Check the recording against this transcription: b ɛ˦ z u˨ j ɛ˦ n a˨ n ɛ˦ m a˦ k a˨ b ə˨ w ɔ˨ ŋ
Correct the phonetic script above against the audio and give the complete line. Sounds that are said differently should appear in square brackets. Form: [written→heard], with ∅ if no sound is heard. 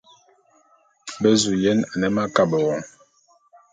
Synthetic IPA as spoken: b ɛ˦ z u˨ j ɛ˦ n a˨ n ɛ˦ m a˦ k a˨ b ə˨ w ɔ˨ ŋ